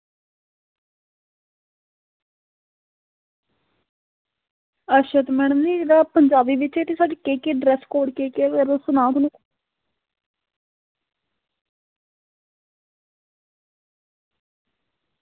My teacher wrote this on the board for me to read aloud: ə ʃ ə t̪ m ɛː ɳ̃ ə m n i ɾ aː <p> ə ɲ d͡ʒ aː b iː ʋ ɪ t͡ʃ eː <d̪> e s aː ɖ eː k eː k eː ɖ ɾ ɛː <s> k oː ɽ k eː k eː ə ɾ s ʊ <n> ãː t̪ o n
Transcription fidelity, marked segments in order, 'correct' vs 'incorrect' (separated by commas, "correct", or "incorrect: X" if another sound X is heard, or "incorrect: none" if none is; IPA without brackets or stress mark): correct, incorrect: t̪, correct, correct